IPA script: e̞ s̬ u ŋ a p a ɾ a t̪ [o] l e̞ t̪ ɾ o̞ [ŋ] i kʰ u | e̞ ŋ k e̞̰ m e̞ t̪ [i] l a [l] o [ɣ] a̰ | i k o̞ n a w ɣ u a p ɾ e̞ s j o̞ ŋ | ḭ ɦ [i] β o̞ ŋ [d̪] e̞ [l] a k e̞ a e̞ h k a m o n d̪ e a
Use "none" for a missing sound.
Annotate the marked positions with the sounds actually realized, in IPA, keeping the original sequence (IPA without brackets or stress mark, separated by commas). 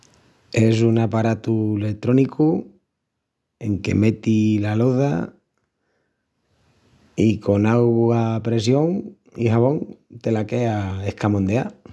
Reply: u, n, i, l, ð, a, t̪, l